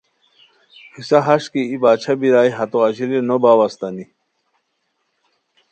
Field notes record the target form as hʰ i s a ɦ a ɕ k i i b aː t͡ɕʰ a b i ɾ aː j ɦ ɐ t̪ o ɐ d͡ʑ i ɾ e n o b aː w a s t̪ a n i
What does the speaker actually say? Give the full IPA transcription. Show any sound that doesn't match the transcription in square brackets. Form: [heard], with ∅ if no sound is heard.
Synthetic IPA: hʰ i s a ɦ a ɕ k i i b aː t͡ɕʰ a b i ɾ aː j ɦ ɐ t̪ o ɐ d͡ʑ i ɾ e n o b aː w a s t̪ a n i